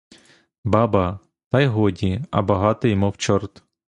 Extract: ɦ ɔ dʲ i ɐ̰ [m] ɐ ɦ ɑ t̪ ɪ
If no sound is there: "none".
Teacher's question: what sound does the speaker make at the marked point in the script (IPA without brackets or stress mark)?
b